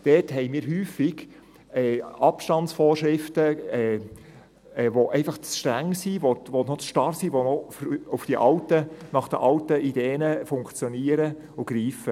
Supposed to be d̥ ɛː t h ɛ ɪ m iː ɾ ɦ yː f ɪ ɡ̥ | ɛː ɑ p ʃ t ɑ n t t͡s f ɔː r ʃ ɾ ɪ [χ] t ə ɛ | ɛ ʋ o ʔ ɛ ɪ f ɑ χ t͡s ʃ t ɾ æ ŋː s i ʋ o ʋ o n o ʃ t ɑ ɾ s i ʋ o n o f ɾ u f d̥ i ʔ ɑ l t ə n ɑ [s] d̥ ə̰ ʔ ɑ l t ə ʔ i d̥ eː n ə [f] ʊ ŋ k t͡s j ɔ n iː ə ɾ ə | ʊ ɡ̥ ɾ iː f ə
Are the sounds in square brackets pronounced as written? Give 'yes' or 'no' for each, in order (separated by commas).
no, no, yes